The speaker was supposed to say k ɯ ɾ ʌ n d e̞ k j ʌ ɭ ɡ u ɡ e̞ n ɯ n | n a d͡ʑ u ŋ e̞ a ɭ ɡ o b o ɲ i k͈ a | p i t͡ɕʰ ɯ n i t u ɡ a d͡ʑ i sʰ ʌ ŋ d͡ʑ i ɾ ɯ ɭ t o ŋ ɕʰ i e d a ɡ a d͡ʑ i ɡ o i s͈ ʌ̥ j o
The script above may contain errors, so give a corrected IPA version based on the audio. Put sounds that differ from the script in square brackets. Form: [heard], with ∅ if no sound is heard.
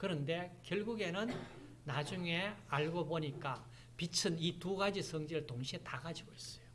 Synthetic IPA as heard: k ɯ ɾ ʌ n d e̞ k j ʌ ɭ ɡ u ɡ e̞ n ɯ n | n a d͡ʑ u ŋ e̞ a ɭ ɡ o b o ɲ i k͈ a | p i t͡ɕʰ ɯ n i t u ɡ a d͡ʑ i sʰ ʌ ŋ d͡ʑ i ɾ ɯ ɭ t o ŋ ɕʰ i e [t] a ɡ a d͡ʑ i ɡ o i s͈ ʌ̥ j o